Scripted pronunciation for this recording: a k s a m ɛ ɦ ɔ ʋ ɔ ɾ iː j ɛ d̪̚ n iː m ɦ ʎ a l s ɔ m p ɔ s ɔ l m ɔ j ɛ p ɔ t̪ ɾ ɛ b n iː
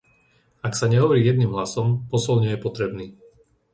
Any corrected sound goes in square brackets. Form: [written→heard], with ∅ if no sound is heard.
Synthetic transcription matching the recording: a k s a [m→ɲ] ɛ ɦ ɔ ʋ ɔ ɾ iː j ɛ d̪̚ n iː m ɦ [ʎ→l] a [l→∅] s ɔ m p ɔ s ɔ l [m→ɲ] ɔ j ɛ p ɔ t̪ ɾ ɛ b n iː